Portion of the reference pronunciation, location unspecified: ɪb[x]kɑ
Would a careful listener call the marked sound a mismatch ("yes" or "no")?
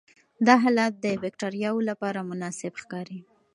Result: no